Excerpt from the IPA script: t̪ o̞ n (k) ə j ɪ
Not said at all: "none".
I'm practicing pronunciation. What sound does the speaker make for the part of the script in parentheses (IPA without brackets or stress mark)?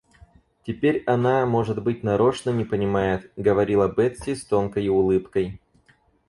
k